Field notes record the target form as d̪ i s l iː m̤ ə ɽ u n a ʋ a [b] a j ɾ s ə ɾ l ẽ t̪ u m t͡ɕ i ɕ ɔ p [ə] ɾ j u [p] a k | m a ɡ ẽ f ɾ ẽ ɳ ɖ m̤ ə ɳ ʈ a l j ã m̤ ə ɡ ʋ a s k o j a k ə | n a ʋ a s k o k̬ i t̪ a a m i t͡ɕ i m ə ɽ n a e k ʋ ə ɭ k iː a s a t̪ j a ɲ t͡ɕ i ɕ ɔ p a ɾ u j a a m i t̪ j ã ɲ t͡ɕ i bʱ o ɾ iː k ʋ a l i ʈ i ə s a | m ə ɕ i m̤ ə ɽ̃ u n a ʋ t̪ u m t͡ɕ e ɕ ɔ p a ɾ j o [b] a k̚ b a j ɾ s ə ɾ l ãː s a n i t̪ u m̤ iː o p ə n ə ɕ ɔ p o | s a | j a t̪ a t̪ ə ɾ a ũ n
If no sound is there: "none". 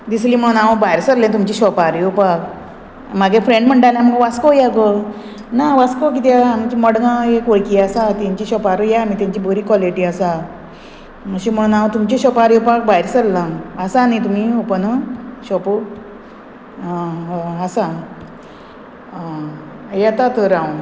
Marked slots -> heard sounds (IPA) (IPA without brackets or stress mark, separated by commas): b, a, p, p